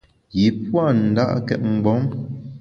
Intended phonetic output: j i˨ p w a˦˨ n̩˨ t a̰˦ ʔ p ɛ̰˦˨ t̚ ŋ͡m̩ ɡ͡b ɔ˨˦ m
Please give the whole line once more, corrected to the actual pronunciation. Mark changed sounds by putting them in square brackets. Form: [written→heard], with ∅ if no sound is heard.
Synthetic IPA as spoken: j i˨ p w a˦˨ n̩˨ [t→d] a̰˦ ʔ [p→k] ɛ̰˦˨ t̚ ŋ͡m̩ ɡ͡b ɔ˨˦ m